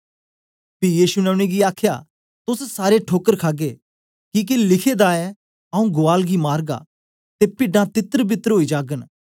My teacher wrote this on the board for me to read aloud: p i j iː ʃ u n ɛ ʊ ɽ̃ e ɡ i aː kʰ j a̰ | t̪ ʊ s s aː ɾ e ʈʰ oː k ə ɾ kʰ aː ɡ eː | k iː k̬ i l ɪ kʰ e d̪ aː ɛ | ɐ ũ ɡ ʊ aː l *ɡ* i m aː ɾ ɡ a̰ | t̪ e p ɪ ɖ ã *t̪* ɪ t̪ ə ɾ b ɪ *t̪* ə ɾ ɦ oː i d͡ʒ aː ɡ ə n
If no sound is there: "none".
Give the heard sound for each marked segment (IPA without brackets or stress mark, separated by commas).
ɡ, t̪, t̪